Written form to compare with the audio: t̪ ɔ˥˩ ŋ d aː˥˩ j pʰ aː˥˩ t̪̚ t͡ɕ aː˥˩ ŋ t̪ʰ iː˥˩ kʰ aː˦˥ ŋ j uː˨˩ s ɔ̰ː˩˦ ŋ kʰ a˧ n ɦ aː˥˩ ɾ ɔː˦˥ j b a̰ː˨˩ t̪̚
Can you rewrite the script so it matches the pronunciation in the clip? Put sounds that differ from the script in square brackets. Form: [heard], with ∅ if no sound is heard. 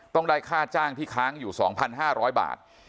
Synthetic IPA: t̪ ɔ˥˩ ŋ d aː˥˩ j [kʰ] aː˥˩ t̪̚ t͡ɕ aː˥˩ ŋ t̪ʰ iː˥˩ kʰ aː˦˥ ŋ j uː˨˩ s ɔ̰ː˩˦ ŋ [pʰ] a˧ n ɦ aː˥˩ ɾ ɔː˦˥ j b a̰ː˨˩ t̪̚